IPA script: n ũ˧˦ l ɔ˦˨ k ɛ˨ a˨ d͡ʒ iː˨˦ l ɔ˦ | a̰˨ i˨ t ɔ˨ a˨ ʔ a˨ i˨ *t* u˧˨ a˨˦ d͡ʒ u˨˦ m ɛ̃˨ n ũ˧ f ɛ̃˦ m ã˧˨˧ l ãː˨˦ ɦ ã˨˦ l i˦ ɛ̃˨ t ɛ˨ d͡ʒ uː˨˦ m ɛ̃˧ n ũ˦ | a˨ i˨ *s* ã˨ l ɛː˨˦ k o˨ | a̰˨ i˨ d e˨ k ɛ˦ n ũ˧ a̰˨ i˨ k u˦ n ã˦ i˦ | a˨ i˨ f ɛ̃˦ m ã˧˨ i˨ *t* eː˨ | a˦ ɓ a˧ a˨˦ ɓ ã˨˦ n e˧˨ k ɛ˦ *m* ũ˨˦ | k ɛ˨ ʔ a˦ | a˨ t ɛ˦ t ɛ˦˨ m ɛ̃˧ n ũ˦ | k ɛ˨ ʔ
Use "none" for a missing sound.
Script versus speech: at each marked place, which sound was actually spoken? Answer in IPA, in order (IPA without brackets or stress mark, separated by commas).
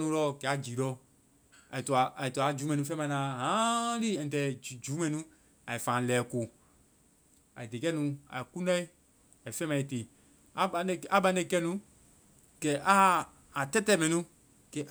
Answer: t, f, t, n